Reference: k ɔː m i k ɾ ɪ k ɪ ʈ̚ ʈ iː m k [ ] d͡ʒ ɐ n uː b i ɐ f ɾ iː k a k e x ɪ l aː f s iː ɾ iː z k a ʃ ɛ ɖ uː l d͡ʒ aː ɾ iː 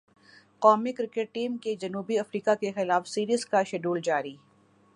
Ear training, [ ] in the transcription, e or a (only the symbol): e